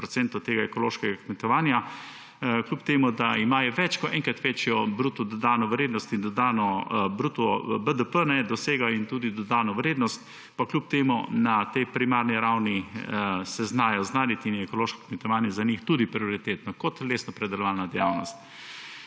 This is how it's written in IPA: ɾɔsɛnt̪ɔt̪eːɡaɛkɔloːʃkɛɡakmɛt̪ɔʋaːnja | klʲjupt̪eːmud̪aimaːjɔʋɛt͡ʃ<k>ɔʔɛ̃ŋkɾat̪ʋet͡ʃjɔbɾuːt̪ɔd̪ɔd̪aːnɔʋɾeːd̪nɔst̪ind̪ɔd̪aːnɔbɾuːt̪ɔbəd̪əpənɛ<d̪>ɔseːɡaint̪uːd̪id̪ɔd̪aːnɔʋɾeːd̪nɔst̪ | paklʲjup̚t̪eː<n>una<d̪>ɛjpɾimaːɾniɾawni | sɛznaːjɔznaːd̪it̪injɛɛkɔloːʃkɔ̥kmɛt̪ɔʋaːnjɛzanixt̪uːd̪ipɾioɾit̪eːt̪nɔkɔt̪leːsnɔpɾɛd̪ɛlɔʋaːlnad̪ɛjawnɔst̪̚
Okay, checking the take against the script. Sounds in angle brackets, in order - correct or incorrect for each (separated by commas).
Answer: correct, correct, incorrect, incorrect